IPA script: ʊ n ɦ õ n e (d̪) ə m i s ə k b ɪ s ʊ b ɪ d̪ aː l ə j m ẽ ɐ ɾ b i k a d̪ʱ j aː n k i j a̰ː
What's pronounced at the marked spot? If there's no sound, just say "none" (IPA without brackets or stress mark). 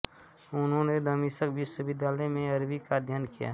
d̪